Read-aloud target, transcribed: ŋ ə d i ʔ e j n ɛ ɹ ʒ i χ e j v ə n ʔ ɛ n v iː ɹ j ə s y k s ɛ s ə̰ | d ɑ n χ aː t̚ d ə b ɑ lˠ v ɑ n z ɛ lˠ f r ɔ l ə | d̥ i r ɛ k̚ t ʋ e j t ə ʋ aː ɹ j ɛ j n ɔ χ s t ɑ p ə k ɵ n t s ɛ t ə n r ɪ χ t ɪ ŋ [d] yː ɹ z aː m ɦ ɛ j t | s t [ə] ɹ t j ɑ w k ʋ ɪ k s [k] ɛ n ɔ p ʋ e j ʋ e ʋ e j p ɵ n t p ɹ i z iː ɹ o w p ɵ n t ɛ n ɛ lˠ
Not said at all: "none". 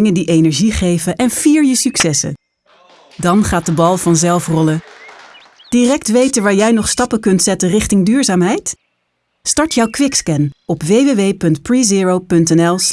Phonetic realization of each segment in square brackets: d, ɑ, k

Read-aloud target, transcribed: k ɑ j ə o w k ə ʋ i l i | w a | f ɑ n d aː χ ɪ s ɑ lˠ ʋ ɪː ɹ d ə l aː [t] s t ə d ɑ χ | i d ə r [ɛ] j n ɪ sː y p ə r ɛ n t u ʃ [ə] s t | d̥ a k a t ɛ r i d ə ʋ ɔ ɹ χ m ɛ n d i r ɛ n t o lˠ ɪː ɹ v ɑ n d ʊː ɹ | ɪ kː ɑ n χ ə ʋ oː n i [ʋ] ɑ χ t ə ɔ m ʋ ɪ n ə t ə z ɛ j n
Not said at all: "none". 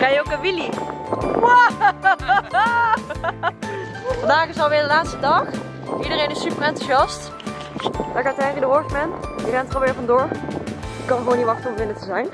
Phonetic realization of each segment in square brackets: t, e, ɑ, ʋ

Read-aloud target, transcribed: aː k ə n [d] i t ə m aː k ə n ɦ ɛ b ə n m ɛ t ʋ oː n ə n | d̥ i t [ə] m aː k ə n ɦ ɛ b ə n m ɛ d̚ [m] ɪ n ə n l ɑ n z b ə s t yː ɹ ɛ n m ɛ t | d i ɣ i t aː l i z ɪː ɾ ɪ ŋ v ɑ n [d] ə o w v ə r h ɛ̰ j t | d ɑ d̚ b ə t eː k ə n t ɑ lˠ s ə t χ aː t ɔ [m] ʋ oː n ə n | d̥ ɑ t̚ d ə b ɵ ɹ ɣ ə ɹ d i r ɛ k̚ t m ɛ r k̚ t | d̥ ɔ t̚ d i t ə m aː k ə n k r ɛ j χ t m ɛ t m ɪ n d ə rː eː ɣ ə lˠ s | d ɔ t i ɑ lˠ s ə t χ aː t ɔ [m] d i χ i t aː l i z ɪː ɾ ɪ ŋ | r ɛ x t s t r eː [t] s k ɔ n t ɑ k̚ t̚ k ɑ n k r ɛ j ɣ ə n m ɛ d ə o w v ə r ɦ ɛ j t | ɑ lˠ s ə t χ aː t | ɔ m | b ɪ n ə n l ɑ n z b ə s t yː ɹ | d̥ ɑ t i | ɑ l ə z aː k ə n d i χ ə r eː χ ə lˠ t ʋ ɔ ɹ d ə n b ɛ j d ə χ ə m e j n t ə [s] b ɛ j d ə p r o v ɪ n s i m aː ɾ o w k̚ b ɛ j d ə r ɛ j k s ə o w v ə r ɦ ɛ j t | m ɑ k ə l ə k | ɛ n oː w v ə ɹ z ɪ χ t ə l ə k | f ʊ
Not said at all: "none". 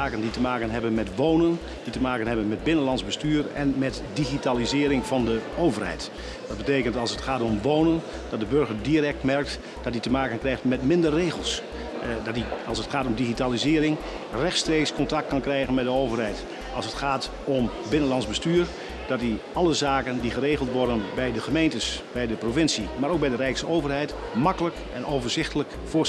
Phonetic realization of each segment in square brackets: d, ə, b, d, m, m, k, s

